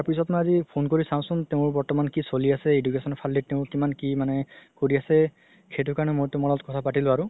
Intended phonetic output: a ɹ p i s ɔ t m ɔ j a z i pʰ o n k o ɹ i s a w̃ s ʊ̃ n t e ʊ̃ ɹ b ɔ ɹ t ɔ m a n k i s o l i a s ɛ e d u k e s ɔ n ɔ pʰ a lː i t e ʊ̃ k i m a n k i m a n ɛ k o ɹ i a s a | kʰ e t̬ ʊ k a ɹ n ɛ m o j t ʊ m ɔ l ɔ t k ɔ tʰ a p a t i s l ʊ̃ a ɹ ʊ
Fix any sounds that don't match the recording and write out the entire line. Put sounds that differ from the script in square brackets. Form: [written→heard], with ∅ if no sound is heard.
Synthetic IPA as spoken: a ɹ p i s ɔ t m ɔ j a z i pʰ o n k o ɹ i s a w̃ s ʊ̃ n t e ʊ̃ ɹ b ɔ ɹ t ɔ m a n k i s o l i a s ɛ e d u k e s ɔ n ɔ pʰ a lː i t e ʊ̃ k i m a n k i m a n ɛ k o ɹ i a s [a→ɛ] | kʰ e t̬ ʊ k a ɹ n ɛ m o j t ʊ m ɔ l ɔ t k ɔ tʰ a p a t i [s→∅] l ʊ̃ a ɹ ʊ